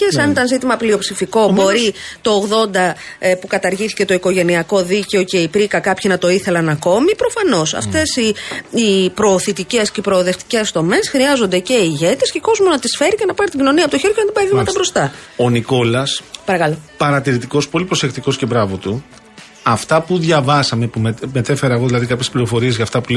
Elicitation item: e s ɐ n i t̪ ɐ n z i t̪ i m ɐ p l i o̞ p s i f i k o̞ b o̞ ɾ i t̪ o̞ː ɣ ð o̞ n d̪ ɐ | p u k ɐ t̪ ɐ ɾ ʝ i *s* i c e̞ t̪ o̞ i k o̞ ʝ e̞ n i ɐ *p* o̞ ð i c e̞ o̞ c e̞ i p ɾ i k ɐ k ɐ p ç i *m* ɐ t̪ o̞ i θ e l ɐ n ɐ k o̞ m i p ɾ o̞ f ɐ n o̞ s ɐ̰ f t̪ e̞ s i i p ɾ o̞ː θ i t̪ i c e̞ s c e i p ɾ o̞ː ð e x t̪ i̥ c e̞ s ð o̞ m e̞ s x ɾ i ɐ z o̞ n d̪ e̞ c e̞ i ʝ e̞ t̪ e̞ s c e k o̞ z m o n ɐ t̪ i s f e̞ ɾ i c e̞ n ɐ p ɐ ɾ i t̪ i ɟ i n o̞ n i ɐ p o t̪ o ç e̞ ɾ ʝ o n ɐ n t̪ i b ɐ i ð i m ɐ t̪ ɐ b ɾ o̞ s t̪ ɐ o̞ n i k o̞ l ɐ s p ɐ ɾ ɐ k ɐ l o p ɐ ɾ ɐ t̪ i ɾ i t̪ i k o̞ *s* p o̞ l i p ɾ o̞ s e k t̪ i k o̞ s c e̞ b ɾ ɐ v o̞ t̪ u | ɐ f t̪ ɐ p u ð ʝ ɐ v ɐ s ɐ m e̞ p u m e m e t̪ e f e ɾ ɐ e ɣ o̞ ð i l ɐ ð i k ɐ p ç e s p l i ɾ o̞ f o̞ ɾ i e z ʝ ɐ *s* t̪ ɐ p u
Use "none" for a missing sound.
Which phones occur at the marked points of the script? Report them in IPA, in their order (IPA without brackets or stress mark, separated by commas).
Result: θ, k, n, s, f